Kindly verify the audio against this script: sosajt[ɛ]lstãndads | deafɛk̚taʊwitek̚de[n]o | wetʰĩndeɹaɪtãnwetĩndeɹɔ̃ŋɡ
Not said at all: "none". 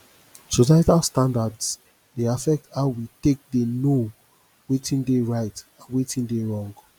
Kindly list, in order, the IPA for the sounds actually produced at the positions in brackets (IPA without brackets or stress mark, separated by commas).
a, n